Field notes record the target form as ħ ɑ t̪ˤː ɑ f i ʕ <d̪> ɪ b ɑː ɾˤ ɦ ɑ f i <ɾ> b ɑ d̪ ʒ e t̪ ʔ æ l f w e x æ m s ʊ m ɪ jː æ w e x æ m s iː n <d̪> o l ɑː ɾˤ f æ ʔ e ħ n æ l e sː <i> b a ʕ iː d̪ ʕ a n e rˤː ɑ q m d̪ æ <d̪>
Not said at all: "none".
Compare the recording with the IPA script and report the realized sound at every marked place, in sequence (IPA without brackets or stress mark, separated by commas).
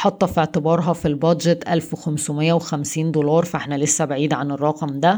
t̪, l, d̪, æ, none